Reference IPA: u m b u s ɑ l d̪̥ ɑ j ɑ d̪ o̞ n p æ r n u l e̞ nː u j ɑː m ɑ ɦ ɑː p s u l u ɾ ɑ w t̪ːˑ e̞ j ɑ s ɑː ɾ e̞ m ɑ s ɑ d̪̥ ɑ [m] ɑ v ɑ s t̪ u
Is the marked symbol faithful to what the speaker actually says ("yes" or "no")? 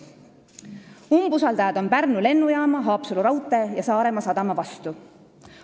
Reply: yes